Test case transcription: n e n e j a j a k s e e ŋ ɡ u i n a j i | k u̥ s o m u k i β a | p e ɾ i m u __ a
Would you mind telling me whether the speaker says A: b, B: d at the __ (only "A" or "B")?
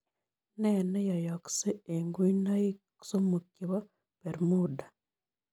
B